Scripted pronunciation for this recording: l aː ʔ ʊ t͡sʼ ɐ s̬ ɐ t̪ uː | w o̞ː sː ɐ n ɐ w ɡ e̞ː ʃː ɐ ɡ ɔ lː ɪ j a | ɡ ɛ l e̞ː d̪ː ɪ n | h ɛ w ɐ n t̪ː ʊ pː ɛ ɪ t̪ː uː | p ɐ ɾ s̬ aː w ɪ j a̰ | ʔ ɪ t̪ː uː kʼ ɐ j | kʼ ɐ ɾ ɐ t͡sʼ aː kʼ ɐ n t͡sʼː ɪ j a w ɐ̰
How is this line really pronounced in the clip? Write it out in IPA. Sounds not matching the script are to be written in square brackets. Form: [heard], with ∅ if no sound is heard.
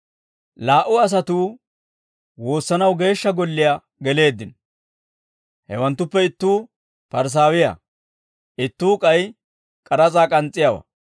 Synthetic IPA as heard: l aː ʔ ʊ [∅] ɐ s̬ ɐ t̪ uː | w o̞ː sː ɐ n ɐ w ɡ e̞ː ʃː ɐ ɡ ɔ lː ɪ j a | ɡ ɛ l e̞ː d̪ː ɪ n | h ɛ w ɐ n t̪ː ʊ pː ɛ ɪ t̪ː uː | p ɐ ɾ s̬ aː w ɪ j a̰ | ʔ ɪ t̪ː uː kʼ ɐ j | kʼ ɐ ɾ ɐ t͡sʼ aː kʼ ɐ n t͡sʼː ɪ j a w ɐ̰